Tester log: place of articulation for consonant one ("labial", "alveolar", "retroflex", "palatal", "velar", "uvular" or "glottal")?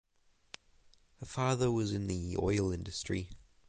glottal